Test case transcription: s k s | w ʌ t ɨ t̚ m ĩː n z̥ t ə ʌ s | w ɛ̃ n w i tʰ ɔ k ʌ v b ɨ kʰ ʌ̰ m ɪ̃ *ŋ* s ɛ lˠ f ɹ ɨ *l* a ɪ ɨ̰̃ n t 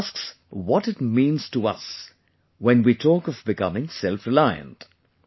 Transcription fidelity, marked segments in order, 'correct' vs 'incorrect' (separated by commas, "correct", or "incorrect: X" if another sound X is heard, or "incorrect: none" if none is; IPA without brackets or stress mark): correct, correct